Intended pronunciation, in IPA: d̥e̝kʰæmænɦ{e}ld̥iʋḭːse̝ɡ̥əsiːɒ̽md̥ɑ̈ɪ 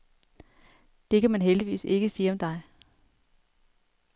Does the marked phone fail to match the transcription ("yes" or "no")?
no